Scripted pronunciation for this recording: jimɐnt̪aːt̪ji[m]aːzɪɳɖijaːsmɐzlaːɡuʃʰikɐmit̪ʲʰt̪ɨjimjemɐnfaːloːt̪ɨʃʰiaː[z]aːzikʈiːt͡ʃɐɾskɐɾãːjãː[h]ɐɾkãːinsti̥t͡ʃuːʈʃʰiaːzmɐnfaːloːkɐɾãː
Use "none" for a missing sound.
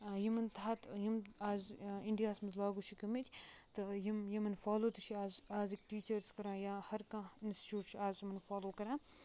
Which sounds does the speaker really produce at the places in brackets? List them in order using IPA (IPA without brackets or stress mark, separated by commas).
m, z, h